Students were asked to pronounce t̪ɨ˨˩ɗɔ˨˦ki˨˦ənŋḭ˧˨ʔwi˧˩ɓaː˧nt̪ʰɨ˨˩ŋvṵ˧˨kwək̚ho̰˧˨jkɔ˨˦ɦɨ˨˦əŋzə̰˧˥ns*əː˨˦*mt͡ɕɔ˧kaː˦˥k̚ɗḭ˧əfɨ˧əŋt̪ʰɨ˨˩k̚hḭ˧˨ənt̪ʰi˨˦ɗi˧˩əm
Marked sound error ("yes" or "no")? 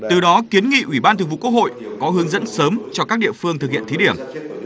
no